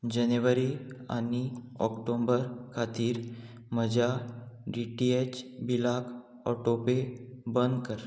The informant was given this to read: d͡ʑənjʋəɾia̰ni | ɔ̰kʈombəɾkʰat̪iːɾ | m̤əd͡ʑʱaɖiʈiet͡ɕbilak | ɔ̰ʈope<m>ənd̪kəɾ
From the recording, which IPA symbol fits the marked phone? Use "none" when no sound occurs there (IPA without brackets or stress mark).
b